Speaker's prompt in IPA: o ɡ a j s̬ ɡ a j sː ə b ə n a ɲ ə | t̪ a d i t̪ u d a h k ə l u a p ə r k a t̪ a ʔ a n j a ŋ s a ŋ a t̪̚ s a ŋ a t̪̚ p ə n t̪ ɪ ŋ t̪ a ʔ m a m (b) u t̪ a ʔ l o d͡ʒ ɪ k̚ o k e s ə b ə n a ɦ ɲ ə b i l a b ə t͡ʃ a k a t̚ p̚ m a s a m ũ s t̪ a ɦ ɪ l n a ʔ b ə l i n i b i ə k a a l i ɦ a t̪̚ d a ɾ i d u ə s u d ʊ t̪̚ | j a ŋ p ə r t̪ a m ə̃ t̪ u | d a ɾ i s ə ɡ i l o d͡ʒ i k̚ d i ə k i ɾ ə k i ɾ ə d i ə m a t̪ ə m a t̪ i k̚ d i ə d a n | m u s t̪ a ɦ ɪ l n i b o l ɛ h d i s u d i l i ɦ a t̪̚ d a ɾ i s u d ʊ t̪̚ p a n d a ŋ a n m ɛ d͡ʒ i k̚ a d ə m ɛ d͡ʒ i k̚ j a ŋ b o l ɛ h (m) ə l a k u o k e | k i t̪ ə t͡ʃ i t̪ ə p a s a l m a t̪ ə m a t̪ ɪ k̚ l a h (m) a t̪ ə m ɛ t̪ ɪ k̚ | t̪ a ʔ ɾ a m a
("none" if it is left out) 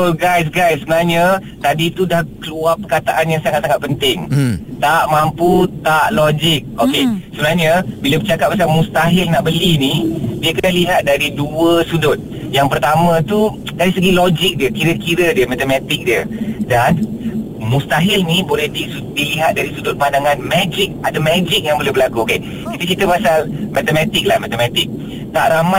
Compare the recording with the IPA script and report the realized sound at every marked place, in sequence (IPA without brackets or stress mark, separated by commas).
p, b, m